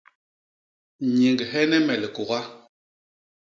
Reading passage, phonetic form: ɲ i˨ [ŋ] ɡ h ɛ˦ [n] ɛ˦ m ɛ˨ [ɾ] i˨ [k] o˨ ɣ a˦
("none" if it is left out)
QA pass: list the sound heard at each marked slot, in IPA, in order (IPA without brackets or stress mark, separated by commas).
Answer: ŋ, n, l, k